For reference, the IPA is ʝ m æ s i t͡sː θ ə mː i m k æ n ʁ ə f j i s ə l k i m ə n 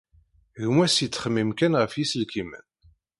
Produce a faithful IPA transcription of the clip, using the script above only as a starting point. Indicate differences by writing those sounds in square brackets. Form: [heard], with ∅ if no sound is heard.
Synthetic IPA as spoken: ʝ m æ s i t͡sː [χ] ə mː i m k æ n ʁ ə f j i s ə l k i m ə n